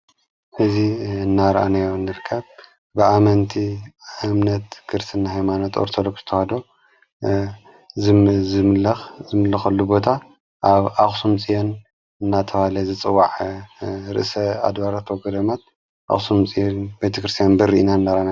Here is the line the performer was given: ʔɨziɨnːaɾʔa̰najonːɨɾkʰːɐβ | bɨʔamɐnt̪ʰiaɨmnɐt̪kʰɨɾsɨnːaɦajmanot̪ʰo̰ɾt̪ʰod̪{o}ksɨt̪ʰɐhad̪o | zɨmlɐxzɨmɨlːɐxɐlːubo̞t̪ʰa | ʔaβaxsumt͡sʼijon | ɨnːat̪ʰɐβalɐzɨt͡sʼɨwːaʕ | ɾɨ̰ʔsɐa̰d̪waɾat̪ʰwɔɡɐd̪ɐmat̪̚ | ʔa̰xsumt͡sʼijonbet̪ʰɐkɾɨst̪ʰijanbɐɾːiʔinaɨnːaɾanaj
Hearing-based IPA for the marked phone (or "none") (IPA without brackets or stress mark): o